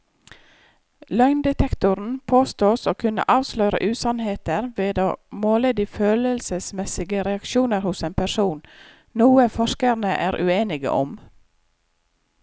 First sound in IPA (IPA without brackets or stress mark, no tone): l